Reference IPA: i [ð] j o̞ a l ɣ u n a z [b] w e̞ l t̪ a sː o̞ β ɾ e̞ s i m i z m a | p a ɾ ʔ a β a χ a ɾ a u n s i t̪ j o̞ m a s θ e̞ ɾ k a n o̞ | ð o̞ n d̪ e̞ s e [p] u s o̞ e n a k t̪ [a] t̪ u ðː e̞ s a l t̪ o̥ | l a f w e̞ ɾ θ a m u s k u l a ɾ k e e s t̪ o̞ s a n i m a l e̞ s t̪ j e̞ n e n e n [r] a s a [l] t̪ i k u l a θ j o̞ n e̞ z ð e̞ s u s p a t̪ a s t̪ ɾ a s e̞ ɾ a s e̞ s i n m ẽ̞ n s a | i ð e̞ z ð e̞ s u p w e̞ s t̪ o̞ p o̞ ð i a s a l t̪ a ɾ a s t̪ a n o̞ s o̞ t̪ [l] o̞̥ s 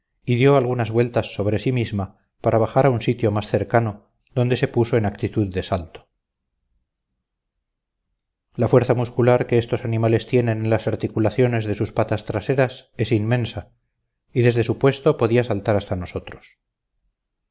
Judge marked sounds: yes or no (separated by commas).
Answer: yes, no, yes, no, no, no, no